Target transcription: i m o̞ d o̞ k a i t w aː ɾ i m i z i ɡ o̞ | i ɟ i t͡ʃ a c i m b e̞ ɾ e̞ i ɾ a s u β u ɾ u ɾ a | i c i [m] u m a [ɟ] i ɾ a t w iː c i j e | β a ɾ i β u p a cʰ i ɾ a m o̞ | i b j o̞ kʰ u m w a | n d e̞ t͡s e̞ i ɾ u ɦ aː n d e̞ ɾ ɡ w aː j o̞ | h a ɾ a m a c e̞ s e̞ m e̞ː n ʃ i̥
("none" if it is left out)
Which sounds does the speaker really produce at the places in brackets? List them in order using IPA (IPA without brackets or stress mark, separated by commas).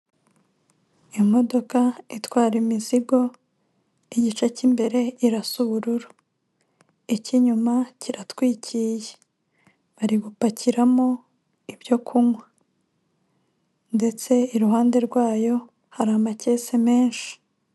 ɲ, c